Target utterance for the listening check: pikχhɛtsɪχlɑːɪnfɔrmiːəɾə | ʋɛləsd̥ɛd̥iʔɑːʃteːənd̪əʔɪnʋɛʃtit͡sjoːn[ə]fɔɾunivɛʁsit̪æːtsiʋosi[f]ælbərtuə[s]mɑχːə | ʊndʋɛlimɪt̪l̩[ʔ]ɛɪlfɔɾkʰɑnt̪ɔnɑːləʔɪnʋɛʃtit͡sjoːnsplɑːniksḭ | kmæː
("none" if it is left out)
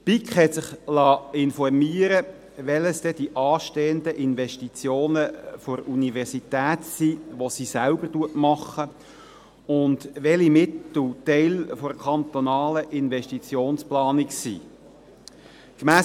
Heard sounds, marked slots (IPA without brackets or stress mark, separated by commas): ə, s, t, t